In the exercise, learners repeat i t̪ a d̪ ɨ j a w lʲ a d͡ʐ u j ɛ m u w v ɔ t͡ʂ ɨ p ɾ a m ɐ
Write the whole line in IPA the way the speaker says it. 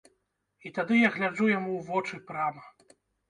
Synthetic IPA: i t̪ a d̪ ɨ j a ɣ lʲ a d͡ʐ u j a m u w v ɔ t͡ʂ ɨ p ɾ a m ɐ